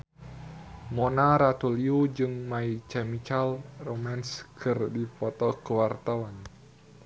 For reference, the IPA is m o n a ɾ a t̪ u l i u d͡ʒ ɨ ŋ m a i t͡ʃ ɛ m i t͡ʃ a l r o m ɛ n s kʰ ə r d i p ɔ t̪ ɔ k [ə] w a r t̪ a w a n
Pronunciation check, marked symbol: correct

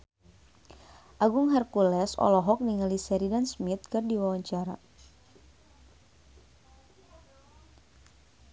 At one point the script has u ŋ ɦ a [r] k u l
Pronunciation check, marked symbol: correct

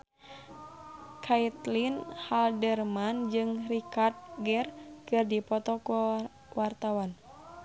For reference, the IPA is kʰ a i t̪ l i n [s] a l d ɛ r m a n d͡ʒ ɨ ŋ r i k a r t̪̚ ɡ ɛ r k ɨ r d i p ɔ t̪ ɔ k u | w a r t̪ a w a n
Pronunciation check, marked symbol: incorrect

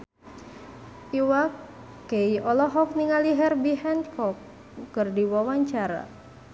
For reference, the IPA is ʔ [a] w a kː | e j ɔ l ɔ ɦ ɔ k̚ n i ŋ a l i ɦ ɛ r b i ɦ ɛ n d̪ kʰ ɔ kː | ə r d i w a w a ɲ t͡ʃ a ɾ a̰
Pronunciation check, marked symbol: incorrect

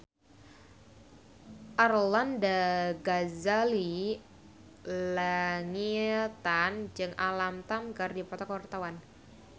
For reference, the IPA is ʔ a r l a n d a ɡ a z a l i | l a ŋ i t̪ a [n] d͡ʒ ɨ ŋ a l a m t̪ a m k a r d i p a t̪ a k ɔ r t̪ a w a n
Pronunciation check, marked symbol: correct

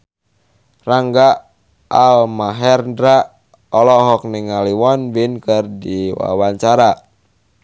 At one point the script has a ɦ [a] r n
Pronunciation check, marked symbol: incorrect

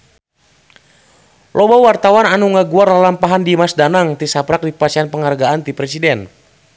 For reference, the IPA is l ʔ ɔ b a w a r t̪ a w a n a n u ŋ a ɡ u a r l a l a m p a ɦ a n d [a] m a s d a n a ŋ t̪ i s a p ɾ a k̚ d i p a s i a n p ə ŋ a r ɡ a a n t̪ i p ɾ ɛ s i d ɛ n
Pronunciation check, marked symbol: incorrect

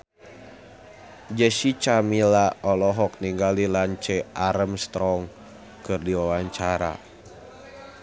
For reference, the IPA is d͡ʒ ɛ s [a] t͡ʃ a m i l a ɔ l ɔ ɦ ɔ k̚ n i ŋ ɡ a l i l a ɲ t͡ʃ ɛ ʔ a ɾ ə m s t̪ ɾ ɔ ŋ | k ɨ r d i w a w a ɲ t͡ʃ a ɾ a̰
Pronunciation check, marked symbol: incorrect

